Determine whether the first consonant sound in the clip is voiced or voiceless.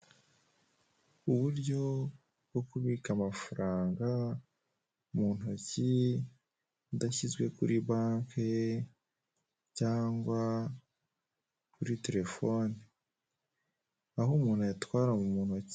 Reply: voiced